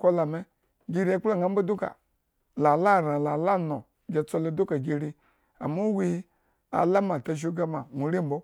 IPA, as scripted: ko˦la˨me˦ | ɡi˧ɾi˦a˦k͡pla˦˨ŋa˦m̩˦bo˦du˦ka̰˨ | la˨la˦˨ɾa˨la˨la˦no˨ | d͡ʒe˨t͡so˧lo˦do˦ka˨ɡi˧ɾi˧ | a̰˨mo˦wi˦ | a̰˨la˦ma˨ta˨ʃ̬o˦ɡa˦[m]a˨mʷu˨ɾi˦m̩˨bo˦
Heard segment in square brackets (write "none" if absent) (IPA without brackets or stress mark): m